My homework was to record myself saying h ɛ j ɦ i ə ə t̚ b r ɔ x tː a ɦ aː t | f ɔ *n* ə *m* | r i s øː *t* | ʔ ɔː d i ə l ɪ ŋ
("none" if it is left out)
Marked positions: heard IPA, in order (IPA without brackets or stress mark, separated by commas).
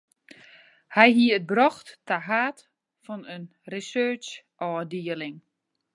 n, n, t͡ʃ